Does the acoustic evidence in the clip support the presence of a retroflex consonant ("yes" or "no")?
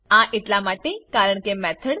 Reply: yes